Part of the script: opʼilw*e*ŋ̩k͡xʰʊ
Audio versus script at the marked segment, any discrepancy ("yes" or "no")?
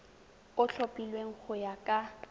no